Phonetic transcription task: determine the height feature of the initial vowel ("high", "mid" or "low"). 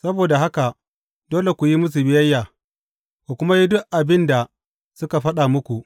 low